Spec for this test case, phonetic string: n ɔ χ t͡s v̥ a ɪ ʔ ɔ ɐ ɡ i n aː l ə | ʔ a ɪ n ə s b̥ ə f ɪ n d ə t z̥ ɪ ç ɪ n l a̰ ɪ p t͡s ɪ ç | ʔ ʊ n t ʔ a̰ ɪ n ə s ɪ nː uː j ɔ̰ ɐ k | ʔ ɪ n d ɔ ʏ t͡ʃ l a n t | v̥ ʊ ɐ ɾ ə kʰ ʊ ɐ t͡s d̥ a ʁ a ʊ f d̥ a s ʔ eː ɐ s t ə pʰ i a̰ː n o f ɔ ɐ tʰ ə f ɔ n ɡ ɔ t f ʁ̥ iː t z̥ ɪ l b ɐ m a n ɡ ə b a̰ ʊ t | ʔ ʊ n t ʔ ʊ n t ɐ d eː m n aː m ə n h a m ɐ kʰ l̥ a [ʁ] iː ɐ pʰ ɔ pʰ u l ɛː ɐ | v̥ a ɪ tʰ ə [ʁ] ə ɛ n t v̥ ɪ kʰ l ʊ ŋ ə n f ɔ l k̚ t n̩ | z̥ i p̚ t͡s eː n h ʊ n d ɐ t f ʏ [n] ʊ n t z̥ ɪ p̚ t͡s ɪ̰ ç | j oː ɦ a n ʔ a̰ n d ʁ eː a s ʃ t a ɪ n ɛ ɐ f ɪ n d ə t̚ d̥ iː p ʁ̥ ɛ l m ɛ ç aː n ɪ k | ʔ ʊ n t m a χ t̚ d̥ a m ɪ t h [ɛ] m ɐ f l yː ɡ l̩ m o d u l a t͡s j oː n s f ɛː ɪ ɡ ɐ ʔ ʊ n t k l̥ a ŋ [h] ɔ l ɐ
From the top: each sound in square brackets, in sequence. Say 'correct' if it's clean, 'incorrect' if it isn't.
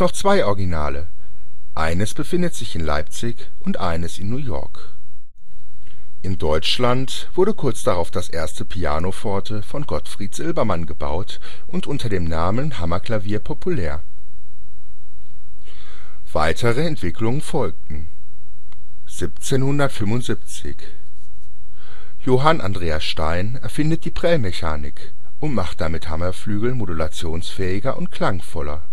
incorrect: v, correct, incorrect: m, incorrect: a, incorrect: f

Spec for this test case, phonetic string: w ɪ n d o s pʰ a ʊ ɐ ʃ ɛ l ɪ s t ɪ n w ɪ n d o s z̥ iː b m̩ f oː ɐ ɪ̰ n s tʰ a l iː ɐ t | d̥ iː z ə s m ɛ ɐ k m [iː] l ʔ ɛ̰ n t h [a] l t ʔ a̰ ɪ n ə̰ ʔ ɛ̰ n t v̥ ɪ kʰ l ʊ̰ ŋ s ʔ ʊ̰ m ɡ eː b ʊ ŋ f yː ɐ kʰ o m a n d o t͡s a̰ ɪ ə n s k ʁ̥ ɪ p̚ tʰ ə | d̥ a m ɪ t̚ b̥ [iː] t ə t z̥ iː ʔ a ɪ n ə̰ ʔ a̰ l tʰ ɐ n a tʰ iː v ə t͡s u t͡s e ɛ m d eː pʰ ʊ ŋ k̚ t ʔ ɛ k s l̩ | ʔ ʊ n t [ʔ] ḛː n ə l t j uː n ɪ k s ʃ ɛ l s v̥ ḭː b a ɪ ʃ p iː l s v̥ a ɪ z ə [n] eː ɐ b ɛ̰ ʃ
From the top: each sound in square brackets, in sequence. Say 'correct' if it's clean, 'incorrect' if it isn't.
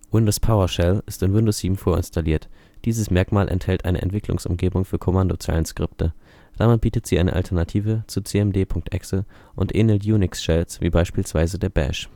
incorrect: aː, incorrect: ɛ, correct, correct, incorrect: d

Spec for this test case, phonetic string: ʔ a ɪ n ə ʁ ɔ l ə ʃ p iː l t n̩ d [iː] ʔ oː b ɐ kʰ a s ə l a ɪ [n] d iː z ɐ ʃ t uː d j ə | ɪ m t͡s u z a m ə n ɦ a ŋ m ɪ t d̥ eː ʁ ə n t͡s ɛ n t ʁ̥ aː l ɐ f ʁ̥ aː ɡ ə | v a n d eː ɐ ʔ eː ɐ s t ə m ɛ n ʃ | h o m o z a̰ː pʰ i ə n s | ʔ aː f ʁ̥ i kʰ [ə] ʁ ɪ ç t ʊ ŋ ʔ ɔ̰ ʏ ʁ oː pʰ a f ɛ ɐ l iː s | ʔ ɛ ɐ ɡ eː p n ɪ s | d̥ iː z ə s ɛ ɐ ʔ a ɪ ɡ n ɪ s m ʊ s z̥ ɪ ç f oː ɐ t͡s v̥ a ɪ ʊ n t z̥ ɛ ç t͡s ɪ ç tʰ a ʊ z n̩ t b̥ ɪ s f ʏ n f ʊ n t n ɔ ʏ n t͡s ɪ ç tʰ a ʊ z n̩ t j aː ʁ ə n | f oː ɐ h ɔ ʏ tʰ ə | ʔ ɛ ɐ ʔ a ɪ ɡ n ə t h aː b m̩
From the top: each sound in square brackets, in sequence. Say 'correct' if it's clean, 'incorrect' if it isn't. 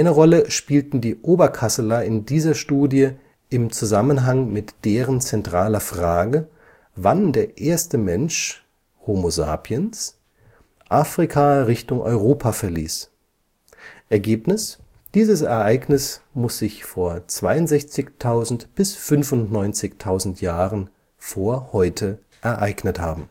correct, correct, incorrect: a

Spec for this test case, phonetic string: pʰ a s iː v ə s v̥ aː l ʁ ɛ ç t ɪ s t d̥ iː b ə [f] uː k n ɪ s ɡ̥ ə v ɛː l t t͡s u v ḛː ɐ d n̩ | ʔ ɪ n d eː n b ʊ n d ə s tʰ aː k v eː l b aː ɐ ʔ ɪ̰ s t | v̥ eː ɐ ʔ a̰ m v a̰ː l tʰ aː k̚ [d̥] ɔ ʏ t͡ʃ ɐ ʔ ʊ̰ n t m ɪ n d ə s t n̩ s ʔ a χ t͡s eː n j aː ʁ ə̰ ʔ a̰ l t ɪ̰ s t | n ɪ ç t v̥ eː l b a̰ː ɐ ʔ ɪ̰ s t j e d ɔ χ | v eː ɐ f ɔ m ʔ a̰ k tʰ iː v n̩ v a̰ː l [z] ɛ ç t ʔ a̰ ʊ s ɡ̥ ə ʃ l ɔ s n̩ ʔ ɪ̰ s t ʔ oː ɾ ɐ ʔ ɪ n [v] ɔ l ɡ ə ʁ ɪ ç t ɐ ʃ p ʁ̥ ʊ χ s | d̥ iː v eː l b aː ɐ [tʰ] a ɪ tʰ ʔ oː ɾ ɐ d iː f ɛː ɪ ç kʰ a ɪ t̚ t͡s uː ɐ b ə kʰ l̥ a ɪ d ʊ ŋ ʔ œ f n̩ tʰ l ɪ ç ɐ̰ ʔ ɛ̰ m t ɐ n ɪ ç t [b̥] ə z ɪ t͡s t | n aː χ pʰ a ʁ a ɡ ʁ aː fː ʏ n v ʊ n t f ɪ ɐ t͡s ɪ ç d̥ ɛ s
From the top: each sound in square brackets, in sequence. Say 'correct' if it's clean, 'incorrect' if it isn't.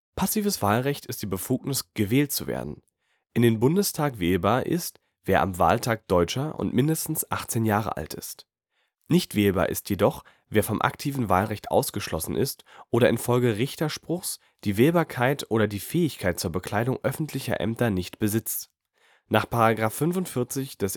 correct, correct, incorrect: ʁ, incorrect: f, incorrect: kʰ, correct

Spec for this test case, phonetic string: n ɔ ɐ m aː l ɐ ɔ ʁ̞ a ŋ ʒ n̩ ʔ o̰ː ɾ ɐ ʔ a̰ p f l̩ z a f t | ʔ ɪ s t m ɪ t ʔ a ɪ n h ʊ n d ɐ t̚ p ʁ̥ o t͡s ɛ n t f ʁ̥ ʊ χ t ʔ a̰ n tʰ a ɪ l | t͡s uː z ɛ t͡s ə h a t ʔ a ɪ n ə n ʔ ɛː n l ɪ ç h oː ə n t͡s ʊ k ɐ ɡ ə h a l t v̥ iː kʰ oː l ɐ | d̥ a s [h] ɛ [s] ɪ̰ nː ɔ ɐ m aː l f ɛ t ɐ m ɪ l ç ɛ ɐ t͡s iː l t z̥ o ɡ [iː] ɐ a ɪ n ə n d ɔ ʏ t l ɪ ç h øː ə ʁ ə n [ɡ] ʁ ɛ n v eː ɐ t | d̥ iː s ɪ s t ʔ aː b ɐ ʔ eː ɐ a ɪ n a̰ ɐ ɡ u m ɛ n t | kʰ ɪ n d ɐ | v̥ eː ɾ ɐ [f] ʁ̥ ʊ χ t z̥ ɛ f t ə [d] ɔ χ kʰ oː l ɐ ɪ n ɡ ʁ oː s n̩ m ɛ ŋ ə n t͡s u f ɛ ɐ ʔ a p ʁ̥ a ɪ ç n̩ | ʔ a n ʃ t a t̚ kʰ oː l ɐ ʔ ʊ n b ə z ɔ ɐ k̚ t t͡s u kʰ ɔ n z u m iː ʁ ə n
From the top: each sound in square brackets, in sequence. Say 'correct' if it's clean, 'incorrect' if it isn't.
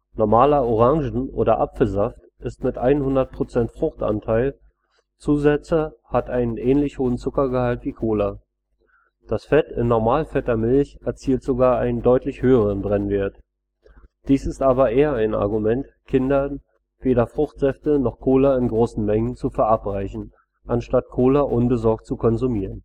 incorrect: f, incorrect: t, incorrect: aː, incorrect: b, correct, incorrect: n

